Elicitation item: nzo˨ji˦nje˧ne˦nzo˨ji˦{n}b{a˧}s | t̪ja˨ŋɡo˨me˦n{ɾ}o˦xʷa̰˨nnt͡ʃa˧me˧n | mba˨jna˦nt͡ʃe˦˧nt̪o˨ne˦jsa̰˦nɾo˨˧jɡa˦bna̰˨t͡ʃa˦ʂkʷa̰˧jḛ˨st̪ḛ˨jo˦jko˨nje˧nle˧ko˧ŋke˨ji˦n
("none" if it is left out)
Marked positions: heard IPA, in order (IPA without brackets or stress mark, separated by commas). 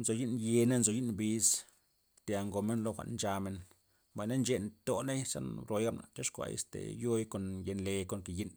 n, i˧, l